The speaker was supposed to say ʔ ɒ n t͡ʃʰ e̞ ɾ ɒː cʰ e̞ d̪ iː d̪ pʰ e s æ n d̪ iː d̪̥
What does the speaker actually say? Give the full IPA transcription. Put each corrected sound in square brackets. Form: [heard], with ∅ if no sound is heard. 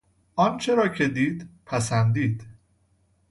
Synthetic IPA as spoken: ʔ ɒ n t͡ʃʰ e̞ ɾ ɒː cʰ e̞ d̪ iː d̪ pʰ [æ] s æ n d̪ iː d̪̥